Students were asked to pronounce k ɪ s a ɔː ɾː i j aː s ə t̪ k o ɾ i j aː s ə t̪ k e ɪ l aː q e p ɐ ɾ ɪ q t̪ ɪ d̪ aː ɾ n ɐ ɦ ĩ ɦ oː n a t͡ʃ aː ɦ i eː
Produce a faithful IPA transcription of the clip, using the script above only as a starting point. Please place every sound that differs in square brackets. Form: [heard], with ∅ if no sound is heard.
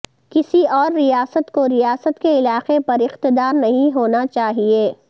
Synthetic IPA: k ɪ s [i] ɔː ɾː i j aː s ə t̪ k o ɾ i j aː s ə t̪ k e ɪ l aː q e p ɐ ɾ ɪ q t̪ ɪ d̪ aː ɾ n ɐ ɦ ĩ ɦ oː n a t͡ʃ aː ɦ i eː